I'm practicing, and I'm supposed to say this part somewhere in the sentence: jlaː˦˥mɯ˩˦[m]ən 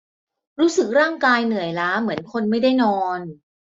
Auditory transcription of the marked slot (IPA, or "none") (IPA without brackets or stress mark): none